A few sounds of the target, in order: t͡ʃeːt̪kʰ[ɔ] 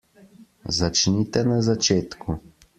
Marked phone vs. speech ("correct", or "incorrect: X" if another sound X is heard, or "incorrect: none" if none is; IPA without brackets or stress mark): incorrect: u